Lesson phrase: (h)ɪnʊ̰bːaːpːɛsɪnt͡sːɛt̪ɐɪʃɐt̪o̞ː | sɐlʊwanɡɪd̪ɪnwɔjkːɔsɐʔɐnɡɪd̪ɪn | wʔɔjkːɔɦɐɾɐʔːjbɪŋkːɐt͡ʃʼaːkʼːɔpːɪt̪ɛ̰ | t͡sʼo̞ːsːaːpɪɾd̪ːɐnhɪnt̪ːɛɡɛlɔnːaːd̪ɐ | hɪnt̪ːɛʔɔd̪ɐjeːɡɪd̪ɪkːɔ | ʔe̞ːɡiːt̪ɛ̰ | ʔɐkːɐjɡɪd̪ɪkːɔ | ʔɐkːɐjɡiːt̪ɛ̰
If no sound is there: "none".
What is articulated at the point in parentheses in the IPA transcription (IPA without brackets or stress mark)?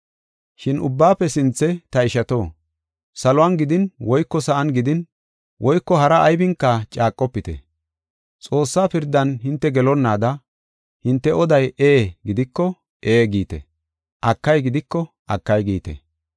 ʃ